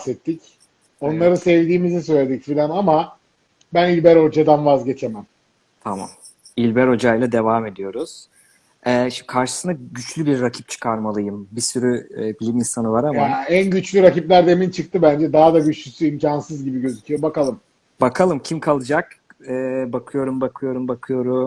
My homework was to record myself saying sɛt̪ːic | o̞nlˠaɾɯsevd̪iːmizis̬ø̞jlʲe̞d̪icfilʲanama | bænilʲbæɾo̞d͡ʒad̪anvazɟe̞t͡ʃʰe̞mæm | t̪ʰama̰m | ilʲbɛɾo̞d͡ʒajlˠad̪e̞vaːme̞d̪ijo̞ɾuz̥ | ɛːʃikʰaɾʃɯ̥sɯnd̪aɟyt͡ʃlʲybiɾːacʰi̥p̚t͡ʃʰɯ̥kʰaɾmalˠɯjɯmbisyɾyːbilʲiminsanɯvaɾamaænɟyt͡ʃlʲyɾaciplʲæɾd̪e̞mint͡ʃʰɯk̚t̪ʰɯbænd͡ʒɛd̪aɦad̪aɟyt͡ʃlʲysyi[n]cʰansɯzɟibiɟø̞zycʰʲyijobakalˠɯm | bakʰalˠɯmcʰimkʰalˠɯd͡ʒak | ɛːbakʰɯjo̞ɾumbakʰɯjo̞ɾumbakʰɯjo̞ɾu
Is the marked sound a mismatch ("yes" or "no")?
yes